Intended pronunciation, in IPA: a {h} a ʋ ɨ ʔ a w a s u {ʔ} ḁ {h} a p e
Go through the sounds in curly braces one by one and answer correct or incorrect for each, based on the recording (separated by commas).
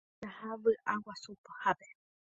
correct, incorrect, correct